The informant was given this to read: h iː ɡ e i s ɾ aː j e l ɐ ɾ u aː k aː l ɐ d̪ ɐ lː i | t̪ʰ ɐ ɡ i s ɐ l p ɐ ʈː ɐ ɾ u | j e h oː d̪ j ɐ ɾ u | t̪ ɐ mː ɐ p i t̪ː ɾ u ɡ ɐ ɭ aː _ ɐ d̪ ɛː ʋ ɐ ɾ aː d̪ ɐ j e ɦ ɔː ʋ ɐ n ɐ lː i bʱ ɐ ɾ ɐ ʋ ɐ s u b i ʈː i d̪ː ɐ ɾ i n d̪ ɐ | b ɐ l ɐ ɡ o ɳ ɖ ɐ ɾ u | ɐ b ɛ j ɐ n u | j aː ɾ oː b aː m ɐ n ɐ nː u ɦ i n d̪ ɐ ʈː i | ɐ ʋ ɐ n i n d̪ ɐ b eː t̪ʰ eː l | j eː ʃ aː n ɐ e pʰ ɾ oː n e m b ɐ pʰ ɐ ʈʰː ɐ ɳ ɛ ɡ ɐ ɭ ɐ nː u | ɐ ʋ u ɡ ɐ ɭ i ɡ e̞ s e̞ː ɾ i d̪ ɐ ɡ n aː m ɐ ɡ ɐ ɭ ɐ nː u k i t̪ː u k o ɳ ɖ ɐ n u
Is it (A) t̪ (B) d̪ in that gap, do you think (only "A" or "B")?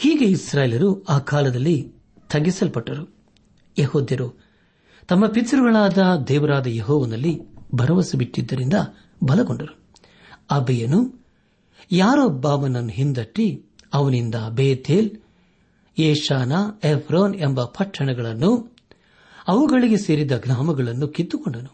B